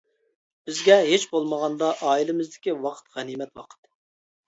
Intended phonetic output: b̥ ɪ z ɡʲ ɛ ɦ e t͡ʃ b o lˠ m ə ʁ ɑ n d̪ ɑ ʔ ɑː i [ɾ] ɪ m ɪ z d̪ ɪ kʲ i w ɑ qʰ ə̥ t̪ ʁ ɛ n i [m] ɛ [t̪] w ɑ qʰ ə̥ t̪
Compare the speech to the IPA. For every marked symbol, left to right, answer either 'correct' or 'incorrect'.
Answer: incorrect: l, correct, correct

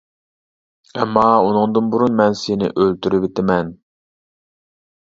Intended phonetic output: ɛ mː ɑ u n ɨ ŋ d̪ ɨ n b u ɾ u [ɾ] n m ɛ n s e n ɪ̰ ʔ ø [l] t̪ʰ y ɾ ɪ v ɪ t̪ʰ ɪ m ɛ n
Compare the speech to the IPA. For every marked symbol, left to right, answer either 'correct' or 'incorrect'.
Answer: incorrect: none, correct

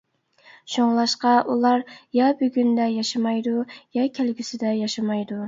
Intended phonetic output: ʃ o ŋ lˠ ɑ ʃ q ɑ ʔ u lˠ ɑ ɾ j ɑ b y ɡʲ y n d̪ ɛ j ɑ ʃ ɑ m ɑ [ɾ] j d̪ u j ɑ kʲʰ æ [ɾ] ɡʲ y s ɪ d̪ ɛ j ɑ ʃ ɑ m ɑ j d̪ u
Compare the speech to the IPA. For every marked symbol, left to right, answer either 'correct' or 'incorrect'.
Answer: incorrect: none, incorrect: l

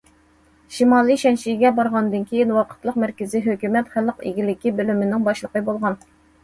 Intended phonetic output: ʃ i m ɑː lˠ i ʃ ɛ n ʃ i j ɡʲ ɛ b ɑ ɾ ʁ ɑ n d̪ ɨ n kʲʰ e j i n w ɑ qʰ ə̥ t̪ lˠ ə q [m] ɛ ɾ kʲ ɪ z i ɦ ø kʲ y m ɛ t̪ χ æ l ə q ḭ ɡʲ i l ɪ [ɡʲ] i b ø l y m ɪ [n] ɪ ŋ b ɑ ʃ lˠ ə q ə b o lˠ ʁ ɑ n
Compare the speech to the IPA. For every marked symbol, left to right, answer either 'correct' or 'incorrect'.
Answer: correct, incorrect: kʲ, correct

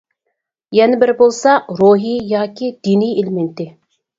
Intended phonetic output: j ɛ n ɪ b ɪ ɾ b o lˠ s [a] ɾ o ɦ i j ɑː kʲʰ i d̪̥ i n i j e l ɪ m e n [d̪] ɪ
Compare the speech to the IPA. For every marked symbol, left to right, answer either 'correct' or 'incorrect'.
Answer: incorrect: ɑ, incorrect: t̪

